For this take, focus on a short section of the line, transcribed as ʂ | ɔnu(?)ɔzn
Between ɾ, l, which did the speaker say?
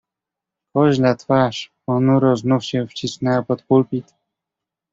ɾ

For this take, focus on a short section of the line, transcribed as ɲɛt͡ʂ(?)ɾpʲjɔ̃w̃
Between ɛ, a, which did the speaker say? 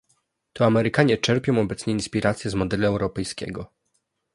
ɛ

